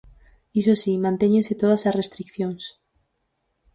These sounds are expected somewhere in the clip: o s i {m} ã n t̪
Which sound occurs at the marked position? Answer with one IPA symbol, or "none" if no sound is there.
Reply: m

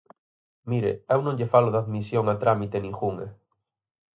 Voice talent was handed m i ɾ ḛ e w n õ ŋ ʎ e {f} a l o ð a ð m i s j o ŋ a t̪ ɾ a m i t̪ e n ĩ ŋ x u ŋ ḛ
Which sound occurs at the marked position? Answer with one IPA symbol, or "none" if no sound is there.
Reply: f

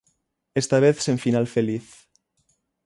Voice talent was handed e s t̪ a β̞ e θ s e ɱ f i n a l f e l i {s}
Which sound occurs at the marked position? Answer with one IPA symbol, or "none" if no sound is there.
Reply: θ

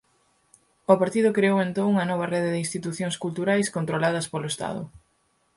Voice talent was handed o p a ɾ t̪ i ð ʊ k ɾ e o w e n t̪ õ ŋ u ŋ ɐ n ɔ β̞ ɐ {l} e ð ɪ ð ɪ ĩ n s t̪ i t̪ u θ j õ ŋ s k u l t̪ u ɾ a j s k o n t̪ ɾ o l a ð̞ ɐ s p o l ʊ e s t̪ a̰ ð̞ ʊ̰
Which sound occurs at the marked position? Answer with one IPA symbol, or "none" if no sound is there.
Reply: r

